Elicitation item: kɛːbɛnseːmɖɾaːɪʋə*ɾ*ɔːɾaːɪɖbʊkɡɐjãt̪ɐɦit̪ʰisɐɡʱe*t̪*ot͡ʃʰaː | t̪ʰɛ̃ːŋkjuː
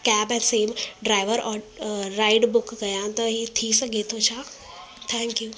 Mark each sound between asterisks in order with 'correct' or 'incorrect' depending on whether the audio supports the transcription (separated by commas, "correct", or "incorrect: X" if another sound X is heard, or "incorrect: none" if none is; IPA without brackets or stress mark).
correct, incorrect: t̪ʰ